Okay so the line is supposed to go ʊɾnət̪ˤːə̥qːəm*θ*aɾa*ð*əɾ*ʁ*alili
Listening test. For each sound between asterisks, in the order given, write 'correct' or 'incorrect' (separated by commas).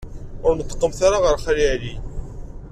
correct, incorrect, incorrect